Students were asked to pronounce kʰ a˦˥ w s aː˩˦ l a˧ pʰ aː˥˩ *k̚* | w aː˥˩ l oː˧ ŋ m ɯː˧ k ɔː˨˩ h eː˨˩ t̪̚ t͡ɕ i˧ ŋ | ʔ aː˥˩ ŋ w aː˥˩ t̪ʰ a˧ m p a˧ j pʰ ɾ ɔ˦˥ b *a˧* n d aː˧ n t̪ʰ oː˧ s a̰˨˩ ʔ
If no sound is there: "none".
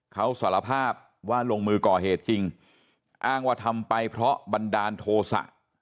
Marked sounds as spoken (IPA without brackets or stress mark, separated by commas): p̚, a˧